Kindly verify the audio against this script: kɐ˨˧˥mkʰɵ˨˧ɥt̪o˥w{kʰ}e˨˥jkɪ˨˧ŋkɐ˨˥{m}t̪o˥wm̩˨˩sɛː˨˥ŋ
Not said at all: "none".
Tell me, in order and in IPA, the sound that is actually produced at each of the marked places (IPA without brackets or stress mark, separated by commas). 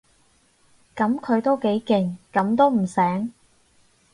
k, m